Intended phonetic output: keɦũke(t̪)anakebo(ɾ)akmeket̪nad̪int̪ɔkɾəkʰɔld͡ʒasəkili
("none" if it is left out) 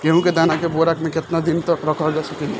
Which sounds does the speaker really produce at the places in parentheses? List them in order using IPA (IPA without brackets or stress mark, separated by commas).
d̪, ɾ